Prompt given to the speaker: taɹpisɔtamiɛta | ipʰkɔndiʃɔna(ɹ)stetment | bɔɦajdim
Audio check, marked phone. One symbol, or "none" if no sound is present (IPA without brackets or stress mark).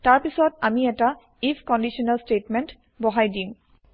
l